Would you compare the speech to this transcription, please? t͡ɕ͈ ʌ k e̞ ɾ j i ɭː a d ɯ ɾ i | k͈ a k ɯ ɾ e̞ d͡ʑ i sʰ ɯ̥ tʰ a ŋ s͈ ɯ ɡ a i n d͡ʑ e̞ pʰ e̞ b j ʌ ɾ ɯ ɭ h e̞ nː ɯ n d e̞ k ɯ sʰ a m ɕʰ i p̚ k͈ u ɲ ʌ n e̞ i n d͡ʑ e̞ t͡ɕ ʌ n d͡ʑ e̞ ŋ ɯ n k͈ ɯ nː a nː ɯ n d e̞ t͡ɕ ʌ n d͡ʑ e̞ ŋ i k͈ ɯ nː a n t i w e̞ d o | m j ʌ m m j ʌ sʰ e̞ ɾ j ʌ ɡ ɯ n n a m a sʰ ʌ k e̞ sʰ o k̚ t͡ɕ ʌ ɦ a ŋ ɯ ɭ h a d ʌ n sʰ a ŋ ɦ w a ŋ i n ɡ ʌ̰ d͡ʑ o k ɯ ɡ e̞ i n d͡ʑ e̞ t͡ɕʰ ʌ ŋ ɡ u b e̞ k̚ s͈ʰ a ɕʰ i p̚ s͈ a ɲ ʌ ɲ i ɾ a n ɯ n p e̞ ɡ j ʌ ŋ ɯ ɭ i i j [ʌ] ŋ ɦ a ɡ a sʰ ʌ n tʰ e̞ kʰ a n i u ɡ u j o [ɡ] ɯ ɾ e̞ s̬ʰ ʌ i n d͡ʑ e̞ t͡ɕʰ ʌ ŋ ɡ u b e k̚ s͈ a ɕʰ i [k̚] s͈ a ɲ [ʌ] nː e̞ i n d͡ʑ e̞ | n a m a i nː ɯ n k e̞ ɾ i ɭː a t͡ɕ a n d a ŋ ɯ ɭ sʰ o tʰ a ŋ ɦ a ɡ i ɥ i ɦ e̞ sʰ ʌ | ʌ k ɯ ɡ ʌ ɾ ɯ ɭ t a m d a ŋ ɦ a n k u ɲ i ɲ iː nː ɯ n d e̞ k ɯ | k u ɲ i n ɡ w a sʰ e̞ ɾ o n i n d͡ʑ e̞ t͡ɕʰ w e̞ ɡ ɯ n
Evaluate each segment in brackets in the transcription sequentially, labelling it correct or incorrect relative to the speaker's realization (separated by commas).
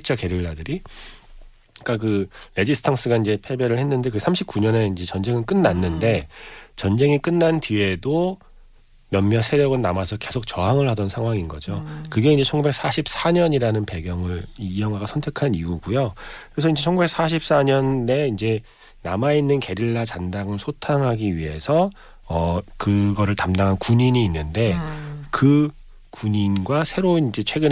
correct, incorrect, incorrect, correct